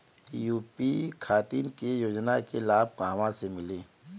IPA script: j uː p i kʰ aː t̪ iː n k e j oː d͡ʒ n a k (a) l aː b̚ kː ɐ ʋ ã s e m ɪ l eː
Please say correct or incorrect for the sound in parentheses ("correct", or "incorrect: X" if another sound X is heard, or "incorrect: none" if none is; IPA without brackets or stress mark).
incorrect: e